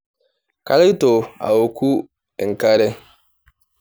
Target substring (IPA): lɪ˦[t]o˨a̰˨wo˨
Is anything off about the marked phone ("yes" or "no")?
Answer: no